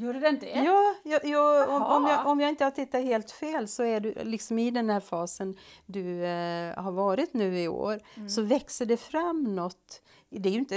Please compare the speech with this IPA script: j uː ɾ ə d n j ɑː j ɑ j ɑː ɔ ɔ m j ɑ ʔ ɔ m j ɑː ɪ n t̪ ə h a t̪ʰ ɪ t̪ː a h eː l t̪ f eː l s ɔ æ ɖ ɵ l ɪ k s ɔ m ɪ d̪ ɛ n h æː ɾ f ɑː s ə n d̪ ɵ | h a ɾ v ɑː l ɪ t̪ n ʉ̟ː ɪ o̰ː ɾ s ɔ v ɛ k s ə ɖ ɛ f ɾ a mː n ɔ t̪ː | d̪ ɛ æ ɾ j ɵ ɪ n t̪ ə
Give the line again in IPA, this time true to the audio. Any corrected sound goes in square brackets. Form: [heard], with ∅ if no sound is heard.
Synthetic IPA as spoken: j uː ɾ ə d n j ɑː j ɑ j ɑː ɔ ɔ m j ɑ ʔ ɔ m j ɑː ɪ n t̪ ə h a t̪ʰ ɪ t̪ː a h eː l t̪ f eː l s ɔ æ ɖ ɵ l ɪ k s ɔ m ɪ d̪ ɛ n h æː ɾ f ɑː s ə n d̪ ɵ | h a ɾ v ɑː [ɾ] ɪ t̪ n ʉ̟ː ɪ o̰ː ɾ s ɔ v ɛ k s ə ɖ ɛ f ɾ a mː n ɔ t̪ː | d̪ ɛ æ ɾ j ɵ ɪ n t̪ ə